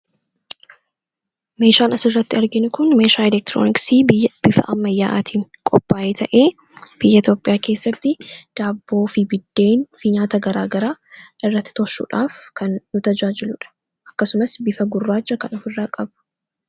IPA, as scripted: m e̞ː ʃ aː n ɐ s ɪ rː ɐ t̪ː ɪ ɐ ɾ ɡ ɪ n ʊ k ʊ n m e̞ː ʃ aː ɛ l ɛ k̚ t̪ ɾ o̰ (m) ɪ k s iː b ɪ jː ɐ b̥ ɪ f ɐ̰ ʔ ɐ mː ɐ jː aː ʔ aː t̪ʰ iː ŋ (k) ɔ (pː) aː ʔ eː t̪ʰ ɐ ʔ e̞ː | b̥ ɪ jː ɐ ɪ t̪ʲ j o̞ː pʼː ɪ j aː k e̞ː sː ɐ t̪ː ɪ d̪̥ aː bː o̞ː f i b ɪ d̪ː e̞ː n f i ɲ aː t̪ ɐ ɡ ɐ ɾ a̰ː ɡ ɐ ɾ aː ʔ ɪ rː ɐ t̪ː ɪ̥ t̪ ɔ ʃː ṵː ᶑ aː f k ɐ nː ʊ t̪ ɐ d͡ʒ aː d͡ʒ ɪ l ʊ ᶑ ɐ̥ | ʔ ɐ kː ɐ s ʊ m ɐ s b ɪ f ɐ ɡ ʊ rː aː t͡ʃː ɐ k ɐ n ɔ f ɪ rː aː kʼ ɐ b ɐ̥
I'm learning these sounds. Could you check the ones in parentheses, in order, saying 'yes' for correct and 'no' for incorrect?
no, no, yes

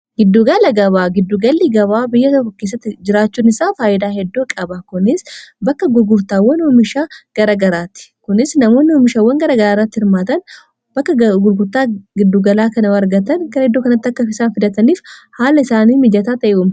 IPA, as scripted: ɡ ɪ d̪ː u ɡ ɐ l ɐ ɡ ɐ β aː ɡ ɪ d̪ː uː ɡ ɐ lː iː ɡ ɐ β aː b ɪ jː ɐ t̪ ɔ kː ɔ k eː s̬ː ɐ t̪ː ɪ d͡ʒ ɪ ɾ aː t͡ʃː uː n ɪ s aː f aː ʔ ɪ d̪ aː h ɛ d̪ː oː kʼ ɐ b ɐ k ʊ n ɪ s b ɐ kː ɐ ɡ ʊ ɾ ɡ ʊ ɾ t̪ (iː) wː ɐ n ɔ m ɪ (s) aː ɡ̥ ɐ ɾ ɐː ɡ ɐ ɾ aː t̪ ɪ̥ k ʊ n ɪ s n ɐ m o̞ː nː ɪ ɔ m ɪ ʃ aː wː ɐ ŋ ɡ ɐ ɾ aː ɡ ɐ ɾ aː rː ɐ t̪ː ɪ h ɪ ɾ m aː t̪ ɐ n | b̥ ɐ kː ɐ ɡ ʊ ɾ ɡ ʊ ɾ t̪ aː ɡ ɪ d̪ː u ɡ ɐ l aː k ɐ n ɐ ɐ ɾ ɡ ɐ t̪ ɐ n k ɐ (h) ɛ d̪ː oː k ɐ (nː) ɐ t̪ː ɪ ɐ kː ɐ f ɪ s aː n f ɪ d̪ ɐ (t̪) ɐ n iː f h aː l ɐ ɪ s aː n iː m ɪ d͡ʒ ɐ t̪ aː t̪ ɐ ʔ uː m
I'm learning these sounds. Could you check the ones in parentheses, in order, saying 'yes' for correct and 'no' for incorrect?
no, no, yes, no, yes

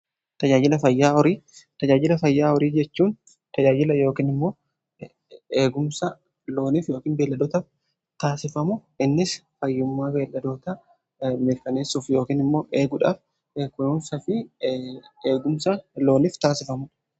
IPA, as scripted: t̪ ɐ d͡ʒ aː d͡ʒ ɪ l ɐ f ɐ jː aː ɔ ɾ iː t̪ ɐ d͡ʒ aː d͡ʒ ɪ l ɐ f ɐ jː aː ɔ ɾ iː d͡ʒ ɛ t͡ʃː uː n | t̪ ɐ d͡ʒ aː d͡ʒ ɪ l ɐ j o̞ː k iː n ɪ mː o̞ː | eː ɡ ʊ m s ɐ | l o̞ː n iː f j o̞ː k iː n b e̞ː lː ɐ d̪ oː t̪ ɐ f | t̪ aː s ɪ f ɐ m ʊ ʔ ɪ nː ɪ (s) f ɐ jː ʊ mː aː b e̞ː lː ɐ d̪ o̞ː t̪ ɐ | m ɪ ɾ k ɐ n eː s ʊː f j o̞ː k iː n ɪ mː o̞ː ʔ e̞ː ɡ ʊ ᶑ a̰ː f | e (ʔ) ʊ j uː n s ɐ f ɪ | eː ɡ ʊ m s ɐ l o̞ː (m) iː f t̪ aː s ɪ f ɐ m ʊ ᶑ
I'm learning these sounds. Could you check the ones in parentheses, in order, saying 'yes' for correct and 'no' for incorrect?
yes, no, no

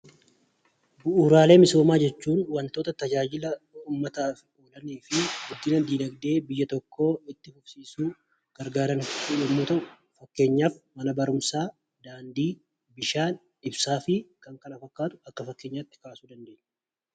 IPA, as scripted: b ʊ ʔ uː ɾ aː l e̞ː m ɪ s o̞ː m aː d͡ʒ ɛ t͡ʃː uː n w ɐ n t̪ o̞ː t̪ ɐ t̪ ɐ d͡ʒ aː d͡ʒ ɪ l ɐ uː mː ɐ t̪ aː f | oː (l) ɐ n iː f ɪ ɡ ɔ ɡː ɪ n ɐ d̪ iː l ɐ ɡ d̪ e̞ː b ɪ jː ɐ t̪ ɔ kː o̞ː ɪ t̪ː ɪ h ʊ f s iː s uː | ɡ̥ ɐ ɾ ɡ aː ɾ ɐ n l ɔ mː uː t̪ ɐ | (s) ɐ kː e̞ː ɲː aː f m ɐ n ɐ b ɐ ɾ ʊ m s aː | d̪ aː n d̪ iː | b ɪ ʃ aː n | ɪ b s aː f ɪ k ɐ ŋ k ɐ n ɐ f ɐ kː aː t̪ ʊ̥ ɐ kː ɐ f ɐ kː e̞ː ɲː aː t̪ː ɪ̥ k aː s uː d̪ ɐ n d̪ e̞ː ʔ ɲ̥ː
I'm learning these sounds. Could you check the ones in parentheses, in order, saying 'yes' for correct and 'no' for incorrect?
yes, no

